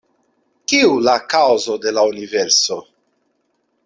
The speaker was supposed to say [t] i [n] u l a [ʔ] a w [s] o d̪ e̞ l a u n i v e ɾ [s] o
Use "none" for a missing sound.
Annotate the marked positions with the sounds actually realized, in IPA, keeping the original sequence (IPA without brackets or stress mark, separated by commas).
k, none, k, z, s